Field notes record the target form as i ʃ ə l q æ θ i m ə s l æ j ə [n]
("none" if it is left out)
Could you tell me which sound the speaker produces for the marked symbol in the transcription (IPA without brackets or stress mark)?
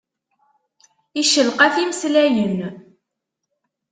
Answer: n